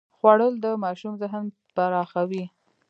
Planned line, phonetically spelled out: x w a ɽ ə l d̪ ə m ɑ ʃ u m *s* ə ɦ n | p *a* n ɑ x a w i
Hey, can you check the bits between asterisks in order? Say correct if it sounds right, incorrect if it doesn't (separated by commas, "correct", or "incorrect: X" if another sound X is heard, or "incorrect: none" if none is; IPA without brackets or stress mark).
incorrect: z, correct